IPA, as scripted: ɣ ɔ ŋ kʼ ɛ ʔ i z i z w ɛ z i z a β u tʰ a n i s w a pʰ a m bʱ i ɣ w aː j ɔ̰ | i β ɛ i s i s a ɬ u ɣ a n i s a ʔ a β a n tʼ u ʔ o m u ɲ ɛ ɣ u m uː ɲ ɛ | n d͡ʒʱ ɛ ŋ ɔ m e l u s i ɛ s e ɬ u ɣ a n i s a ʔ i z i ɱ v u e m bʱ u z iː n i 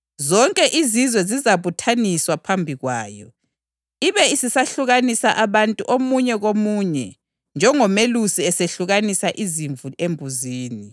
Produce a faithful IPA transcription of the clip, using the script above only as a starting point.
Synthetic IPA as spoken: z ɔ ŋ kʼ ɛ ʔ i z i z w ɛ z i z a β u tʰ a n i s w a pʰ a m bʱ i ɣ w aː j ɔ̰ | i β ɛ i s i s a ɬ u ɣ a n i s a ʔ a β a n tʼ u ʔ o m u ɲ ɛ ɣ o m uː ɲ ɛ | n d͡ʒʱ ɛ ŋ ɔ m e l u s i ɛ s e ɬ u ɣ a n i s a ʔ i z i ɱ v u e m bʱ u z iː n i